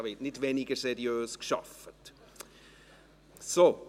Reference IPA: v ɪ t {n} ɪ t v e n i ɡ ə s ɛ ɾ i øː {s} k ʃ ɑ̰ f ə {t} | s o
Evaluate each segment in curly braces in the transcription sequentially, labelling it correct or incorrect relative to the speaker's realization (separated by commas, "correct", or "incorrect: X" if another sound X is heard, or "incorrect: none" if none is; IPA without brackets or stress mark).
correct, correct, correct